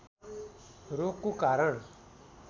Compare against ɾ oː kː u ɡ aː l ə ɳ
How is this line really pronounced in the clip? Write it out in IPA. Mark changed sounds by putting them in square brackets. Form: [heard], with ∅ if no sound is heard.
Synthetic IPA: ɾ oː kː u [k] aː [ɾ] ə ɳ